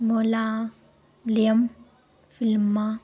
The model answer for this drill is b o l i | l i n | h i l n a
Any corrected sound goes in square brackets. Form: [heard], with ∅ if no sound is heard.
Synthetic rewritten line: [m] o l [a] | l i [m] | [f] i l [m] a